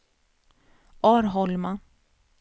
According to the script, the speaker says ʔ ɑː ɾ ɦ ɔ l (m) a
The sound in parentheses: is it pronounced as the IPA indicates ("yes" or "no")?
yes